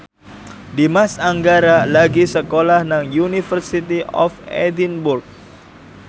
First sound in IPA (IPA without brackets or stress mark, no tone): d